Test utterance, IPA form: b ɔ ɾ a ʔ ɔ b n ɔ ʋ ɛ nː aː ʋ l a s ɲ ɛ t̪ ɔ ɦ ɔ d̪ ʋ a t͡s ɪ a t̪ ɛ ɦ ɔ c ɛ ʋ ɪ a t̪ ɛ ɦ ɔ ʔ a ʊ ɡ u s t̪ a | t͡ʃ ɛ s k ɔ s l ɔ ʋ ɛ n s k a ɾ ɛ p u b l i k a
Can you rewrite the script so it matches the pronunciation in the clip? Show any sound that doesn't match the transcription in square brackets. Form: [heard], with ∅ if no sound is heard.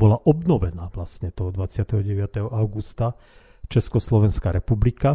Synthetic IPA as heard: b ɔ [l] a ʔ ɔ b n ɔ ʋ ɛ [n] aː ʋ l a s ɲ ɛ t̪ ɔ ɦ ɔ d̪ ʋ a t͡s ɪ a t̪ ɛ ɦ ɔ [ɟ] ɛ ʋ ɪ a t̪ ɛ ɦ ɔ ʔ a ʊ ɡ u s t̪ a | t͡ʃ ɛ s k ɔ s l ɔ ʋ ɛ n s k a ɾ ɛ p u b l i k a